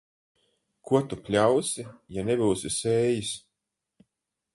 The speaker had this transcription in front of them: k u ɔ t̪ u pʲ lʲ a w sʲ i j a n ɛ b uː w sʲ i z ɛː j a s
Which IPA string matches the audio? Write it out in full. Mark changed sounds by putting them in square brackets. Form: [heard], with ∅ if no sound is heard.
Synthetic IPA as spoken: k u ɔ t̪ u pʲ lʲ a w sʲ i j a n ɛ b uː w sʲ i [s] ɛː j [i] s